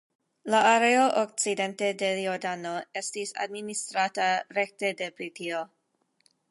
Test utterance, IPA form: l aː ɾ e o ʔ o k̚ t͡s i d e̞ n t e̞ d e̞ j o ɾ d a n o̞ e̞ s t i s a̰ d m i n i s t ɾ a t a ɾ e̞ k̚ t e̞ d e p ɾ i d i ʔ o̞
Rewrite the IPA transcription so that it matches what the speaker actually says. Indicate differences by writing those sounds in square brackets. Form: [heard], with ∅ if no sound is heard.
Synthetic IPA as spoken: l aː ɾ e o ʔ o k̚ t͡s i d e̞ n t e̞ d e̞ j o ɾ d a n o̞ e̞ s t i s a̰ d m i n i s t ɾ a t a ɾ e̞ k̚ t e̞ d e p ɾ i [t] i [∅] o̞